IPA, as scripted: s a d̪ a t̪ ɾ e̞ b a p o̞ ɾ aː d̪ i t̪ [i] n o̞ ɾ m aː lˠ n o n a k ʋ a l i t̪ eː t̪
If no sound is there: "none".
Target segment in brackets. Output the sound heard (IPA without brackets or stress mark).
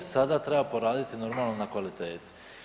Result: i